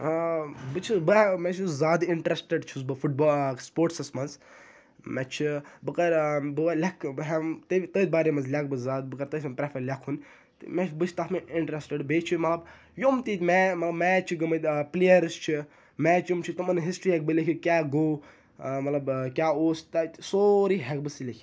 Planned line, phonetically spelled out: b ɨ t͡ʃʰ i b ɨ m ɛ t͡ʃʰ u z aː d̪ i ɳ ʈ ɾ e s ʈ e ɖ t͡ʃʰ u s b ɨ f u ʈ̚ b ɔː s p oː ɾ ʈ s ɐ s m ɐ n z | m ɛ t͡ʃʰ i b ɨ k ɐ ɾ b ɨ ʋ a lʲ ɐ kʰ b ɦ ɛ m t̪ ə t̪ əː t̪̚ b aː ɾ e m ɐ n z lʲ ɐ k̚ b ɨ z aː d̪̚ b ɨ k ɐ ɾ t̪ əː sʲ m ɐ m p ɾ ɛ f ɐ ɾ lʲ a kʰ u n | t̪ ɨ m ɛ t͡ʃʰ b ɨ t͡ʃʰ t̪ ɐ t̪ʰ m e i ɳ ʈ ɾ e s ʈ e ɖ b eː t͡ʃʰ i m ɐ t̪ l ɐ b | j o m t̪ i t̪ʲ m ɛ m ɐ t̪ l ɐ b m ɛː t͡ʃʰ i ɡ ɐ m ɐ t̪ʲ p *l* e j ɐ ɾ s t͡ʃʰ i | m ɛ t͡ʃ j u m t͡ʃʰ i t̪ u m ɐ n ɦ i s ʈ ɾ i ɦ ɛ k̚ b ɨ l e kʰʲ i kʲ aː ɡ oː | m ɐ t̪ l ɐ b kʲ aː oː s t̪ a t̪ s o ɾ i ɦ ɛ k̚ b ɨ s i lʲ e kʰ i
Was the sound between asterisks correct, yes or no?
yes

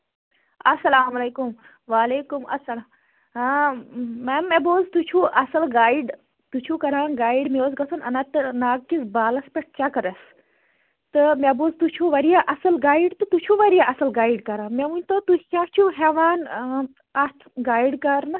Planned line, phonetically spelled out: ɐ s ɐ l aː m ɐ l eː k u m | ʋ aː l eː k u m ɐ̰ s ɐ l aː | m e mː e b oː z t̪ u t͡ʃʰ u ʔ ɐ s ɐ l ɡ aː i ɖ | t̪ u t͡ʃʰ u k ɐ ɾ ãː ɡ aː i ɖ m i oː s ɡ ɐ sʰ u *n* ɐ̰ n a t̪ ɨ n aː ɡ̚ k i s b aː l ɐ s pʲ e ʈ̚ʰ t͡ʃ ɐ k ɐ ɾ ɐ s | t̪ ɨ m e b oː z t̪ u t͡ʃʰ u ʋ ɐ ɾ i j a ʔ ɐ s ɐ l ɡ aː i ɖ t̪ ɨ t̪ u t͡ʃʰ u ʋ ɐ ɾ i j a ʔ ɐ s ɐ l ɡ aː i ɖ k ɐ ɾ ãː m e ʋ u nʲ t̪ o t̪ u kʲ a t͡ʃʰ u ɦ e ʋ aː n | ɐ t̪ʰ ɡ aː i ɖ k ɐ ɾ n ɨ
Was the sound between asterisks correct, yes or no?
yes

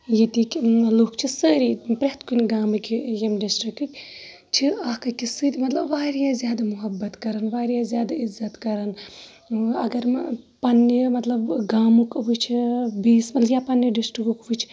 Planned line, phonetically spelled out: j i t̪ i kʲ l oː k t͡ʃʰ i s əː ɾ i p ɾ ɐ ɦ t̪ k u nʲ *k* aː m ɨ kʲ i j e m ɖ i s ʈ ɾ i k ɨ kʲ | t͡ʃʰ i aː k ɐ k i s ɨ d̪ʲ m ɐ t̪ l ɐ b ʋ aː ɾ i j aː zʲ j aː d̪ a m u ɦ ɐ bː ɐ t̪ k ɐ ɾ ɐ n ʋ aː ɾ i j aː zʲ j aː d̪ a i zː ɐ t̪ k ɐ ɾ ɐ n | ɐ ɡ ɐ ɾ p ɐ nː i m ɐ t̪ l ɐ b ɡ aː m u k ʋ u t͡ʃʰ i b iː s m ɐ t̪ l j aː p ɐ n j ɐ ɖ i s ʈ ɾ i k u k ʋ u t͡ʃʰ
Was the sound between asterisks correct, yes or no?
no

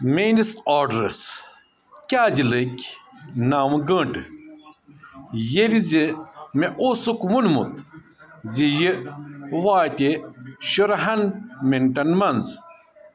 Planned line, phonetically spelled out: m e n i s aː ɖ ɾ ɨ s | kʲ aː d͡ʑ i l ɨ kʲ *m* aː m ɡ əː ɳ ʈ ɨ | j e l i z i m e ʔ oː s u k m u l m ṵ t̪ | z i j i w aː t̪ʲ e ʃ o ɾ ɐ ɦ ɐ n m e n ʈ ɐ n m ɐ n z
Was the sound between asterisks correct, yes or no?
no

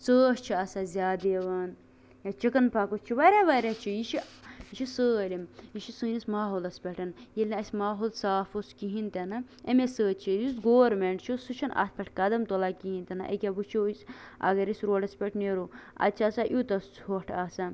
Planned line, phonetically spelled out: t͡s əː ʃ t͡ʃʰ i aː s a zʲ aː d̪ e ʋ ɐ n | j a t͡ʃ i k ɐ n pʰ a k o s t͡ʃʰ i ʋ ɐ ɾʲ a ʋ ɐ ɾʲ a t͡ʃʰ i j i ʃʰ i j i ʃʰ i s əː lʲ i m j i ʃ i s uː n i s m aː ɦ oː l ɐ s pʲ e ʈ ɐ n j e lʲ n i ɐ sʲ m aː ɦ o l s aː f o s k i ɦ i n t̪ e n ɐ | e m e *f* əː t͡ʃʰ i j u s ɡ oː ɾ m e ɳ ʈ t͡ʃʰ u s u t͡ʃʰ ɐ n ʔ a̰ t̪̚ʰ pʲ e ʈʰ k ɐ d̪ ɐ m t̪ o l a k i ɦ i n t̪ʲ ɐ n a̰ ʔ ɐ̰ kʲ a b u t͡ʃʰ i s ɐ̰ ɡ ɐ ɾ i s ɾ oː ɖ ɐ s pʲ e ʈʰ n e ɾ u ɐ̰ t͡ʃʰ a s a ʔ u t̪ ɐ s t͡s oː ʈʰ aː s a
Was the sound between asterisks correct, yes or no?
no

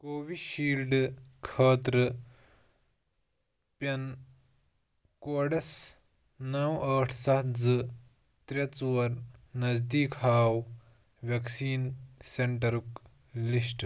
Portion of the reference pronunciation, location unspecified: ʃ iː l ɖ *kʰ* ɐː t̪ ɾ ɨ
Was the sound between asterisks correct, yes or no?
yes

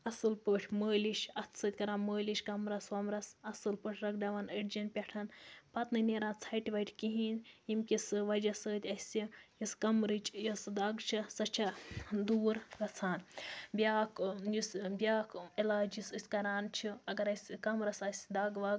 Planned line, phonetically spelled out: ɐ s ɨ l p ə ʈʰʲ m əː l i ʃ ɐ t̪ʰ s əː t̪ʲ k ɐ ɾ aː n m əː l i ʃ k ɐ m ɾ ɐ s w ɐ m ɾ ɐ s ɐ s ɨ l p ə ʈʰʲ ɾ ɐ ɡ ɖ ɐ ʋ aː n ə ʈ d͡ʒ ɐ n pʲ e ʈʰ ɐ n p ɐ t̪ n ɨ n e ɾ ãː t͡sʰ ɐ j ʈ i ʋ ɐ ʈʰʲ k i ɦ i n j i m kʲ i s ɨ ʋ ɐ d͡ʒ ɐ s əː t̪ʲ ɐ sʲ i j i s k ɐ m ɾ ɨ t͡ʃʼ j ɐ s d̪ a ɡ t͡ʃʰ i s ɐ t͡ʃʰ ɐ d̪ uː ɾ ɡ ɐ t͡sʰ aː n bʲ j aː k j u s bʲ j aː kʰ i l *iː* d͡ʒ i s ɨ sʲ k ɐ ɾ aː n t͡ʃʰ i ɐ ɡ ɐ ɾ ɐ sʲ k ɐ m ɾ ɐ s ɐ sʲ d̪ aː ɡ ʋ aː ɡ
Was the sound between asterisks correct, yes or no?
no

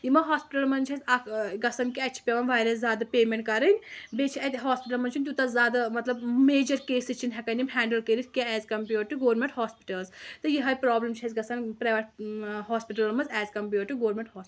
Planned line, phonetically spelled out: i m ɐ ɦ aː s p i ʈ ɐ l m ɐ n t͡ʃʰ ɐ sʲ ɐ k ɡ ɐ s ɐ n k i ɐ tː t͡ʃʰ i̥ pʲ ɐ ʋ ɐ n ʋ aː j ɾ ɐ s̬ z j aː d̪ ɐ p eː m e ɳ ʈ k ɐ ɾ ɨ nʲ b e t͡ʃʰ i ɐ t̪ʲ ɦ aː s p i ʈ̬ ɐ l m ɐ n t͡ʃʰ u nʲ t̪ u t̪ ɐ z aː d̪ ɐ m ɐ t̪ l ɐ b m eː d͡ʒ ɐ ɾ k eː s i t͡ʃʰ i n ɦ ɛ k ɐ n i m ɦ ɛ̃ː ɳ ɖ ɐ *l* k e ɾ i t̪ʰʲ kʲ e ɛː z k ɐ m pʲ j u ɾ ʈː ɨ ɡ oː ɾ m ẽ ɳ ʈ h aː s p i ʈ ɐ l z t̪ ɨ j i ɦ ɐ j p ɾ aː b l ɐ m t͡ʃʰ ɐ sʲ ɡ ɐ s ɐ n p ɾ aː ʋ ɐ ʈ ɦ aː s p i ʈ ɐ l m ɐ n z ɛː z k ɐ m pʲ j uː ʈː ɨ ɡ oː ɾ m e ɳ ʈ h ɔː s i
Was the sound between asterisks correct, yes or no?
yes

